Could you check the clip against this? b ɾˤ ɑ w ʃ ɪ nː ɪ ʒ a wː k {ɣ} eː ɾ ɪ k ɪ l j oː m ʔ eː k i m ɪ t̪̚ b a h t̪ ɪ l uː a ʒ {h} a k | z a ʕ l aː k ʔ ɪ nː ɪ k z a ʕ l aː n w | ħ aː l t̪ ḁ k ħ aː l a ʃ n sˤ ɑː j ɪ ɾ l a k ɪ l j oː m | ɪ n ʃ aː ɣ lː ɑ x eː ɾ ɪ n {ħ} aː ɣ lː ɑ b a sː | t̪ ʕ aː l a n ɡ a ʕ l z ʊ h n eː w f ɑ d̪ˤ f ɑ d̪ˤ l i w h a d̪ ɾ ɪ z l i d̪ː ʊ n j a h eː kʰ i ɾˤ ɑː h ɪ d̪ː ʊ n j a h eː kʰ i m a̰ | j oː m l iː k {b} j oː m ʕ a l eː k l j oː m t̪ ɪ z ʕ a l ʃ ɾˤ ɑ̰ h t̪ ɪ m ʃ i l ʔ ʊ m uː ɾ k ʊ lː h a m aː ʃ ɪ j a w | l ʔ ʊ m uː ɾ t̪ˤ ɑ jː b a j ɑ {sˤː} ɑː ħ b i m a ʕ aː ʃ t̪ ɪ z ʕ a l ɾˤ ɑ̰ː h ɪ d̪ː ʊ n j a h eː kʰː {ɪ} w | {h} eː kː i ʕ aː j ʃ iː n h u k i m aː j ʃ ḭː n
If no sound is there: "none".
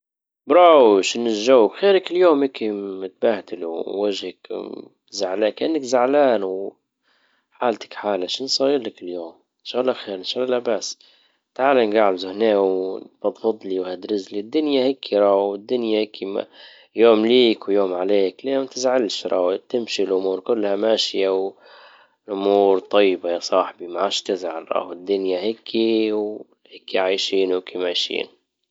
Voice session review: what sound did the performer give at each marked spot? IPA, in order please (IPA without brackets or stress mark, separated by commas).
x, h, ʃ, w, sˤ, i, h